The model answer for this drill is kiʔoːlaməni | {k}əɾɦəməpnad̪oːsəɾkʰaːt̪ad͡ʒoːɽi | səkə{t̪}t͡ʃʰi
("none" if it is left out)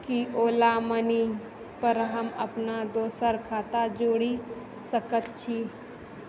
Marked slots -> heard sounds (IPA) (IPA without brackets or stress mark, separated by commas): p, t̪